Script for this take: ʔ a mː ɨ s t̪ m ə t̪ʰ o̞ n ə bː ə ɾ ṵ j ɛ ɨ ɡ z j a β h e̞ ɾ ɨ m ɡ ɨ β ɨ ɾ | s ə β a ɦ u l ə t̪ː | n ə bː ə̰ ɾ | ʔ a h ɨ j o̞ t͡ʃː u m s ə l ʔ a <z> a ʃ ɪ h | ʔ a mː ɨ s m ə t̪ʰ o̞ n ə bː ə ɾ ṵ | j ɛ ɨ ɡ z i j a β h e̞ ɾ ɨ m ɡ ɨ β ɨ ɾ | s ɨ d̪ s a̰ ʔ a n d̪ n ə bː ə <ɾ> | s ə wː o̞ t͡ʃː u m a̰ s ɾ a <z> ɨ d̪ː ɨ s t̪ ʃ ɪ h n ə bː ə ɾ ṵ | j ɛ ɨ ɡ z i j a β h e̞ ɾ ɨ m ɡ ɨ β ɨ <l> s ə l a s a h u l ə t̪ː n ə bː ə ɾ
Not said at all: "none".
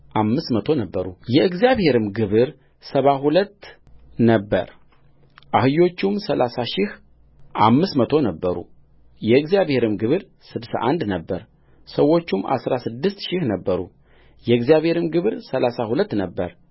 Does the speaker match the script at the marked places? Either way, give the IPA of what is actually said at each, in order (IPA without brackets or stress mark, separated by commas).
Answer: s, ɾ, s, ɾ